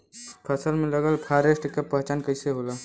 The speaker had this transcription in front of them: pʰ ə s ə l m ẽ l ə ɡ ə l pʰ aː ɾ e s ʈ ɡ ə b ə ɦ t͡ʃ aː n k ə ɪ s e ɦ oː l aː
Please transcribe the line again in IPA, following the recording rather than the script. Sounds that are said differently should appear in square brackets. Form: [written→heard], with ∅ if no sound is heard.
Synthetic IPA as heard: pʰ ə s ə l m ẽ l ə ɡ ə l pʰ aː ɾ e s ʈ [ɡ→k] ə [b→p] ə ɦ t͡ʃ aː n k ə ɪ s e ɦ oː l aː